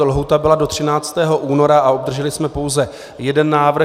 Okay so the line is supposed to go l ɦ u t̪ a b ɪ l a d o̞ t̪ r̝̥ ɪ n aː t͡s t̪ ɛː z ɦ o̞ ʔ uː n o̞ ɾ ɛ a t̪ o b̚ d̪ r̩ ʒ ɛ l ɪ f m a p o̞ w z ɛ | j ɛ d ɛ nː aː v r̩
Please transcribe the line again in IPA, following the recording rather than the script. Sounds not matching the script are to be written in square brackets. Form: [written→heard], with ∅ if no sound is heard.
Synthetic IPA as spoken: l ɦ u t̪ a b ɪ l a d o̞ t̪ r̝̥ ɪ n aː t͡s t̪ ɛː [z→∅] ɦ o̞ ʔ uː n o̞ ɾ [ɛ→a] a [t̪→∅] o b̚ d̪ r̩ ʒ ɛ l ɪ [f→s] m [a→ɛ] p o̞ w z ɛ | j ɛ d ɛ nː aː v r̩